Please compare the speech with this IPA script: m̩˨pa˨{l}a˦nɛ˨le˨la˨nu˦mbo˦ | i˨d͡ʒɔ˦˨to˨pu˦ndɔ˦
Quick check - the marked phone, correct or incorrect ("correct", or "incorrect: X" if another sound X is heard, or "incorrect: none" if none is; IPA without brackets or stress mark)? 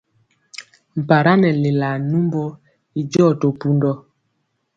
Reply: incorrect: ɾ